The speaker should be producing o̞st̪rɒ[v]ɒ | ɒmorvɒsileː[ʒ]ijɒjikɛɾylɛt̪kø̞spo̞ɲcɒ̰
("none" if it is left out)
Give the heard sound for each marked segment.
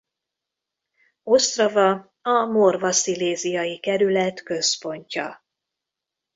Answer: v, z

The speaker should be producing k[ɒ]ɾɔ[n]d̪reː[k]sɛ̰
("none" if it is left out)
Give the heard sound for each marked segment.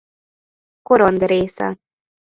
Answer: o, n, none

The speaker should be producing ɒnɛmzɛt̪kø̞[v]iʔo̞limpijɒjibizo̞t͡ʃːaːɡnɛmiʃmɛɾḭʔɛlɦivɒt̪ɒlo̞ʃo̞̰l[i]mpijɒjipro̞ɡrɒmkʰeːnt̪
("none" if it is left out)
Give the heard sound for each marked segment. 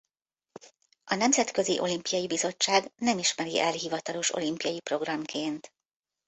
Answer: z, i

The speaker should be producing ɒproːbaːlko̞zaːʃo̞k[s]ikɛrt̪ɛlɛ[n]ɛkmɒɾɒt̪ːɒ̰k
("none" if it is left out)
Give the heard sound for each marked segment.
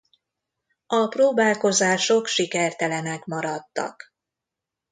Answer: ʃ, n

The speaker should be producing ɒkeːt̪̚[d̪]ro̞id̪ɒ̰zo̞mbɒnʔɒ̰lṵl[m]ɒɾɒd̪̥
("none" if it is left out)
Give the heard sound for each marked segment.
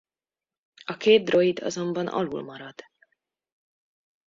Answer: d̪, m

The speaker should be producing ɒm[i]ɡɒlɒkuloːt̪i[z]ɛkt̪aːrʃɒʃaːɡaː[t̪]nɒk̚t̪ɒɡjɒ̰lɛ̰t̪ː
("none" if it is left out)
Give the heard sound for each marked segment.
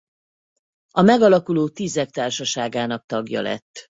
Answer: ɛ, z, none

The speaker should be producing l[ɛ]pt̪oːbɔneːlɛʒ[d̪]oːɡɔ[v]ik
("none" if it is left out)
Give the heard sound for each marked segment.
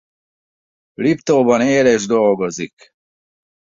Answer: i, d̪, z

